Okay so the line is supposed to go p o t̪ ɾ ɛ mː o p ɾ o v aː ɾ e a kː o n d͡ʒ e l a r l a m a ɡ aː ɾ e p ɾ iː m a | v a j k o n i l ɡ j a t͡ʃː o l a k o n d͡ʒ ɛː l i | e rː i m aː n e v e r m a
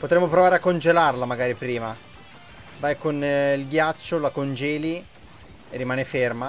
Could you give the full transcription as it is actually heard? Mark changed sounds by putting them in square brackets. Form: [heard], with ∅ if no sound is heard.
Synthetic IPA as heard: p o t̪ ɾ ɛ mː o p ɾ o v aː ɾ e a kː o n d͡ʒ e l a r l a m a ɡ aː ɾ [i] p ɾ iː m a | v a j k o n i l ɡ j a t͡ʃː o l a k o n d͡ʒ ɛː l i | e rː i m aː n e [f] e r m a